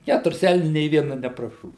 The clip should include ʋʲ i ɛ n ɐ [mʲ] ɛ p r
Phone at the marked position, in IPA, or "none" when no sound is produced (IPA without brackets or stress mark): nʲ